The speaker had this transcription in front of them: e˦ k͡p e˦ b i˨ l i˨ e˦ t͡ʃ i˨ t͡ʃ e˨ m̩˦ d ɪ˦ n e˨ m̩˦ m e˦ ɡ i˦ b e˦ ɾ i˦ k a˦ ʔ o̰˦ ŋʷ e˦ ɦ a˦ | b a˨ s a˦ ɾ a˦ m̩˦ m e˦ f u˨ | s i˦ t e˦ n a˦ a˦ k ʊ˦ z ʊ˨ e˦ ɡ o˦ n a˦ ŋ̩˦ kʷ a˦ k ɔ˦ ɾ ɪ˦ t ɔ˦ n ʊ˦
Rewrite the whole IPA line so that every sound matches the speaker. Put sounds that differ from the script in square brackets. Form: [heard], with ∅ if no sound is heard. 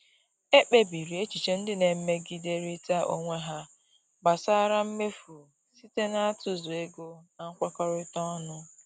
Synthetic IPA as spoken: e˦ k͡p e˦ b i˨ [ɾ] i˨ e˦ t͡ʃ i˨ t͡ʃ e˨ [n̩˦] d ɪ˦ n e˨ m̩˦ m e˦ ɡ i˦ [d] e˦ ɾ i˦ [t] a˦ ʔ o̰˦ ŋʷ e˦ ɦ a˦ | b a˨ s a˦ ɾ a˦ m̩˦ m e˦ f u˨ | s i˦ t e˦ n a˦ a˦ [t] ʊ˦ z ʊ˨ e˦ ɡ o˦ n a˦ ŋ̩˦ kʷ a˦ k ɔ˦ ɾ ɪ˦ t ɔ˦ n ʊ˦